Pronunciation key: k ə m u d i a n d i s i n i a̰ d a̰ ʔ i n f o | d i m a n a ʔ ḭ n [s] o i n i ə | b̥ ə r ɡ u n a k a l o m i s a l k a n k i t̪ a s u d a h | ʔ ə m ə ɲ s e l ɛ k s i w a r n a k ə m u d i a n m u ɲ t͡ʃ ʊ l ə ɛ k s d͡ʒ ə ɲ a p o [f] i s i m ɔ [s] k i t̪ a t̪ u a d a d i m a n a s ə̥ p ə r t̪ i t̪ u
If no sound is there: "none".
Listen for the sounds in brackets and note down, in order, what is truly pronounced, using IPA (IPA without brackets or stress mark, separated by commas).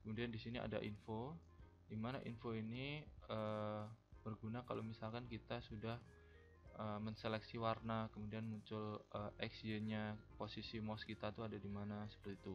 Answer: f, s, s